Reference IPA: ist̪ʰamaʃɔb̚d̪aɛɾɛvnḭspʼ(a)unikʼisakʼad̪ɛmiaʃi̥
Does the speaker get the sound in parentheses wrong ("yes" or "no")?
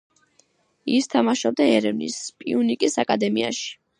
yes